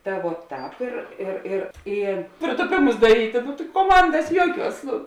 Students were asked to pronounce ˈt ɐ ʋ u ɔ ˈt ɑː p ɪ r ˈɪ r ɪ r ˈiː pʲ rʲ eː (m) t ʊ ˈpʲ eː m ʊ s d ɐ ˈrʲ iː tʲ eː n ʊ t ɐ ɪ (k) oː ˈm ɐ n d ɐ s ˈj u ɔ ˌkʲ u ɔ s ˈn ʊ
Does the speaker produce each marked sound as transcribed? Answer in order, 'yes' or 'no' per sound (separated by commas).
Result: no, yes